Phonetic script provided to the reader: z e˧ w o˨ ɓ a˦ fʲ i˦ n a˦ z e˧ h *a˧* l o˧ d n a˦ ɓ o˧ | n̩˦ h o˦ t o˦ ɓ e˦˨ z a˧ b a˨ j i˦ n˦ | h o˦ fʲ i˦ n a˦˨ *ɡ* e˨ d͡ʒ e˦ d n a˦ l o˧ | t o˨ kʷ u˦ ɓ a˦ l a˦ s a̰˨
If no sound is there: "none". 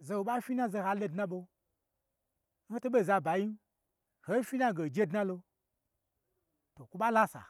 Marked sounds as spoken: a˧, ɡ

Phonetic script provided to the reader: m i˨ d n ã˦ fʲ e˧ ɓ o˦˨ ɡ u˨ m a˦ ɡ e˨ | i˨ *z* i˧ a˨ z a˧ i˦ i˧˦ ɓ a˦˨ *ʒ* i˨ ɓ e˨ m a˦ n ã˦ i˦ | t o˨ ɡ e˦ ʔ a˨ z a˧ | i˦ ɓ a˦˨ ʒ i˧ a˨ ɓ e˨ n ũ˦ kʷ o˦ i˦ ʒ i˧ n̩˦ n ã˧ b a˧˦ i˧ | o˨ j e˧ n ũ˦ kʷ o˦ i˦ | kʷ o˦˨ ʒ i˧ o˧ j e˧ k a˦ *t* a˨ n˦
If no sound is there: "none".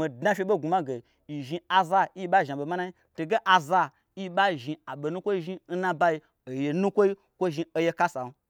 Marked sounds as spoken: ʒ, ʒ, s

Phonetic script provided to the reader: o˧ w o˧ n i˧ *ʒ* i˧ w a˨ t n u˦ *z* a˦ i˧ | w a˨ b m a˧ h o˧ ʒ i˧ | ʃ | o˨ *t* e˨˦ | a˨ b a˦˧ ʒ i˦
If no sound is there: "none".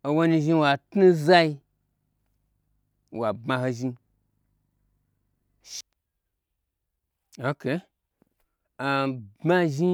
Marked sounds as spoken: ʒ, z, k

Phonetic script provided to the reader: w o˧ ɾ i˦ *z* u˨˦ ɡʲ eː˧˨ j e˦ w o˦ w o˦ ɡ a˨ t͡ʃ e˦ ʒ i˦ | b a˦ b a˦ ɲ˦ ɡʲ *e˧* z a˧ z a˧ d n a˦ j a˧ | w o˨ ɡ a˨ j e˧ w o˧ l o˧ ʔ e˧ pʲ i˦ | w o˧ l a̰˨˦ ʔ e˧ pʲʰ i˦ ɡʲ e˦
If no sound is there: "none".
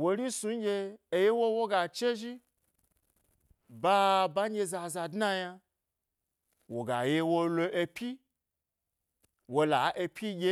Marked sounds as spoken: s, e˧

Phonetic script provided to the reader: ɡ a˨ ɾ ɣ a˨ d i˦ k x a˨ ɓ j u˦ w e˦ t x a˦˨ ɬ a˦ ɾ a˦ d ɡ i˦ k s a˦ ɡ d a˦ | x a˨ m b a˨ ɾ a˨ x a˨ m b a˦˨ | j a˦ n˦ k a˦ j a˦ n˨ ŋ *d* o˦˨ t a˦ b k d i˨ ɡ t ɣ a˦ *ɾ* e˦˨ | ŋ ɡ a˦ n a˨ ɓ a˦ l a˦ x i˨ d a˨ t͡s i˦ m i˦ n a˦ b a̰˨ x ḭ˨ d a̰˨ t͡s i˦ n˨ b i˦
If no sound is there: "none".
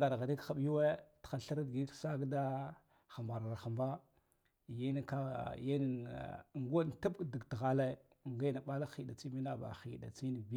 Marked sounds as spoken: ɡ, l

